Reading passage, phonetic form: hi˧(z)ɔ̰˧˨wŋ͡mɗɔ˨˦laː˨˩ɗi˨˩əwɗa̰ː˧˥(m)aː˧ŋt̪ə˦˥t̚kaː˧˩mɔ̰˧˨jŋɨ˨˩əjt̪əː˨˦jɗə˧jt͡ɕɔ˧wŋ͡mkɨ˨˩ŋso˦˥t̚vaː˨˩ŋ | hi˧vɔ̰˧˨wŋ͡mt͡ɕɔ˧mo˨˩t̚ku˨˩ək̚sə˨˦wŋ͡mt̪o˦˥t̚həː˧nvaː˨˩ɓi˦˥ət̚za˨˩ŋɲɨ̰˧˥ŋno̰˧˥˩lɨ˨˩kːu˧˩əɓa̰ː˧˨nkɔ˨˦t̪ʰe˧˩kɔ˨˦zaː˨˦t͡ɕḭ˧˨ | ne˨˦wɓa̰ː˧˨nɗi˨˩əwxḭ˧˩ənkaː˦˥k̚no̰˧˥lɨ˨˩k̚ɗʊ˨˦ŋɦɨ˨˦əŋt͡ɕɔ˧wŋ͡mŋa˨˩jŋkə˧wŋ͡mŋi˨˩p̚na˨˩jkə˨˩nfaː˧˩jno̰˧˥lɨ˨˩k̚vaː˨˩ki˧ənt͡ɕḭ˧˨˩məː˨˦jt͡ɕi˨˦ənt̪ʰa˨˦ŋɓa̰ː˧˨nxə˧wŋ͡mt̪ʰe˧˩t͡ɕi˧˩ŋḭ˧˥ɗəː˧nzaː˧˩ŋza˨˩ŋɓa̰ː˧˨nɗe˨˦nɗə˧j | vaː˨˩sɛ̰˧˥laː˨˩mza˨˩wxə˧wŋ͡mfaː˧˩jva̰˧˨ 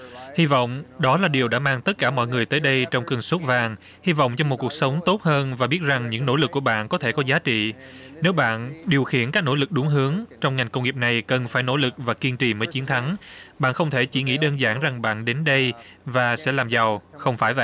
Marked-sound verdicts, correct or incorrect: incorrect: v, correct

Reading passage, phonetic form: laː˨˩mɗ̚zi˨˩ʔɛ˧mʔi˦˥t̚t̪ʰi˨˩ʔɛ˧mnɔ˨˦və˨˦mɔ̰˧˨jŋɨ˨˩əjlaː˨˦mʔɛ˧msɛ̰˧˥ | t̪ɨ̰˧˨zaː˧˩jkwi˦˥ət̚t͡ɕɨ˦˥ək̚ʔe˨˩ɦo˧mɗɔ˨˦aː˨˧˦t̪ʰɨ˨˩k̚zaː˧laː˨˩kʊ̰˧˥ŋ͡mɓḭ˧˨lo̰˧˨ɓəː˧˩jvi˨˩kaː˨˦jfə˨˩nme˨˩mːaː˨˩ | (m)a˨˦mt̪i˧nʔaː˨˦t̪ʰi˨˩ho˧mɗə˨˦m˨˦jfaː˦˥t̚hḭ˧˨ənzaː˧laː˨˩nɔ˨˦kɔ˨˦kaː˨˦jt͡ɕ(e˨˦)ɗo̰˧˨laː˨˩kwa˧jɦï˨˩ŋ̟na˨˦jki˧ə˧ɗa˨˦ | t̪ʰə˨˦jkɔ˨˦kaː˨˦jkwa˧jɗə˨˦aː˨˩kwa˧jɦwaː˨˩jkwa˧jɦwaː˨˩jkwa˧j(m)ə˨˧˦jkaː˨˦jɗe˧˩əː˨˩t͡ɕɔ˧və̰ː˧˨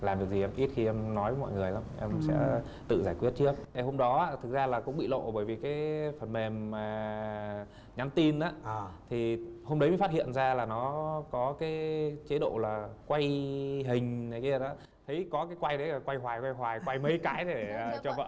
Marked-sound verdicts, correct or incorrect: incorrect: ɲ, correct, correct

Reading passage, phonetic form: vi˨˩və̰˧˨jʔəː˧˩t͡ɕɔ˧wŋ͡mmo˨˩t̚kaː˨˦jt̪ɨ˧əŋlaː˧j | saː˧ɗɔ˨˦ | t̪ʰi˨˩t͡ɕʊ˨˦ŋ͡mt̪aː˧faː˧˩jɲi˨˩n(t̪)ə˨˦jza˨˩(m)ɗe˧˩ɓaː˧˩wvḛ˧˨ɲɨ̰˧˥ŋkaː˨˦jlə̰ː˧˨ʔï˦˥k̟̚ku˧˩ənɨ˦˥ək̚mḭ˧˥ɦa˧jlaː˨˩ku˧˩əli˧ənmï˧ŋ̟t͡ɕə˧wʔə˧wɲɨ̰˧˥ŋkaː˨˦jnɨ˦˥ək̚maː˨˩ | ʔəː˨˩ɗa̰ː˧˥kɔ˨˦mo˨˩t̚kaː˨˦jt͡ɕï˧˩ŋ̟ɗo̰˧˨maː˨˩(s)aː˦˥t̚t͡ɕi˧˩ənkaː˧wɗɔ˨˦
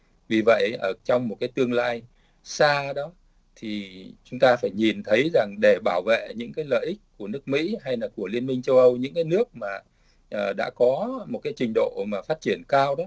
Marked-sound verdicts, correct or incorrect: incorrect: t̪ʰ, incorrect: ŋ, incorrect: f

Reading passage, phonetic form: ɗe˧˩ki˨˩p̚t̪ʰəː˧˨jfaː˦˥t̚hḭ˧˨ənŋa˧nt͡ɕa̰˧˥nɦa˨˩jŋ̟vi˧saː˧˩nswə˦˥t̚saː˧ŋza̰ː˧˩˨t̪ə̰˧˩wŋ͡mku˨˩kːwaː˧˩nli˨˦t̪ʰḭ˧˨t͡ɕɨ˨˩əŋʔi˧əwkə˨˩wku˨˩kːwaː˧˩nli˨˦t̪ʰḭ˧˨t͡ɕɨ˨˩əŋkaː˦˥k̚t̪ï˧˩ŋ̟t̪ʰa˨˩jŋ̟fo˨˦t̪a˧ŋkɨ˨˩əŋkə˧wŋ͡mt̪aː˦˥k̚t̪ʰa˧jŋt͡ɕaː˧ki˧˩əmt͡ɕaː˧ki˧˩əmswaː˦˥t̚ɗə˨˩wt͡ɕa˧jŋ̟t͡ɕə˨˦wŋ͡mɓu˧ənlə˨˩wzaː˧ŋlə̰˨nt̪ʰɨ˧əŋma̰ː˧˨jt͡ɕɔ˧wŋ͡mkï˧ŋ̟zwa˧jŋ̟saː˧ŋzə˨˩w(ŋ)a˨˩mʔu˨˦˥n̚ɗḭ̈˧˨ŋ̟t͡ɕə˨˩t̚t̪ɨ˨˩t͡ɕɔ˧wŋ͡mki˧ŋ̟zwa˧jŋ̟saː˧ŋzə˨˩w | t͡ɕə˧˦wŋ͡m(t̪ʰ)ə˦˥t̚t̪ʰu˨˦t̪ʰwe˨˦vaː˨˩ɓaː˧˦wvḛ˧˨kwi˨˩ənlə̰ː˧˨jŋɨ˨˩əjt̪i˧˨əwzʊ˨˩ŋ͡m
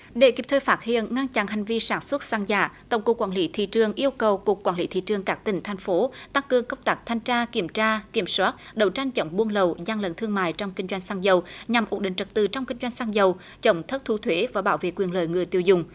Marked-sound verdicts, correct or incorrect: incorrect: ɲ, correct

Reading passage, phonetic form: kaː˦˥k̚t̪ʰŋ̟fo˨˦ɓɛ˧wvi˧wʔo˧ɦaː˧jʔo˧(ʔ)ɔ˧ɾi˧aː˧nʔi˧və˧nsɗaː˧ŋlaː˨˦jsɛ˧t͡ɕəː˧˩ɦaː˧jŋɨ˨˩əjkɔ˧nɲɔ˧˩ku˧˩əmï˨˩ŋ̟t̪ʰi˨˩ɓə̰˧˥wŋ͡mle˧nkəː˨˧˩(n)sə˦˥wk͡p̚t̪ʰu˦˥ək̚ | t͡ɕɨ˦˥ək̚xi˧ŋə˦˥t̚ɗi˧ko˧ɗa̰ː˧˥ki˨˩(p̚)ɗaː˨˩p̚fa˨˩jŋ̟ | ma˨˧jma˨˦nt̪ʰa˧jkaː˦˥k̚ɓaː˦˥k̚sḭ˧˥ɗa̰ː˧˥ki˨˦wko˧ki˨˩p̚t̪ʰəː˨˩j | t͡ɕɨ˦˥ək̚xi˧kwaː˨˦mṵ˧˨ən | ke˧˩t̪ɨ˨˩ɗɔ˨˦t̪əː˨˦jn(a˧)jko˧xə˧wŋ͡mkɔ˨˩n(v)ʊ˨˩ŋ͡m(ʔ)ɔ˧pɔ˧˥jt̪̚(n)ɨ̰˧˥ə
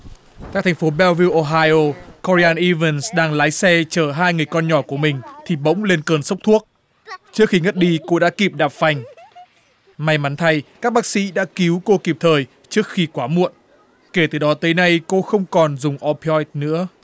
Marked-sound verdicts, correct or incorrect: incorrect: k, correct, correct, correct, incorrect: z, correct, correct

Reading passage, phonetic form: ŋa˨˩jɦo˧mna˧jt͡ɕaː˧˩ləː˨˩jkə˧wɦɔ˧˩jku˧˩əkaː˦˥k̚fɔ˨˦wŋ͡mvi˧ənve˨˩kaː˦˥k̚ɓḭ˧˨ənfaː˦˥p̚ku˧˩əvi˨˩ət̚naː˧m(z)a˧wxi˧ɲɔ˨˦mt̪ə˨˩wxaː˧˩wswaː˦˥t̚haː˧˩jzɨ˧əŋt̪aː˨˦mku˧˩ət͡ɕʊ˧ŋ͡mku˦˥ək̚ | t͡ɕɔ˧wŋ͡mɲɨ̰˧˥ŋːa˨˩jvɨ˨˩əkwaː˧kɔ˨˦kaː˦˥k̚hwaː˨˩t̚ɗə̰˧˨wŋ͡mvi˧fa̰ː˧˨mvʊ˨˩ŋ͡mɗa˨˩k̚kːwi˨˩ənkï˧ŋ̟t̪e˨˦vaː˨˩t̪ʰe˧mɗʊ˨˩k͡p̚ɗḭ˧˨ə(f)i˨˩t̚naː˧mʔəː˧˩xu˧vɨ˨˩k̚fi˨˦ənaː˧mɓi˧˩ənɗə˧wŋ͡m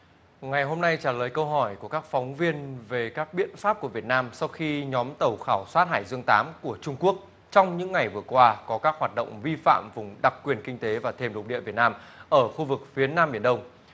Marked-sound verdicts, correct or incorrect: incorrect: s, incorrect: v

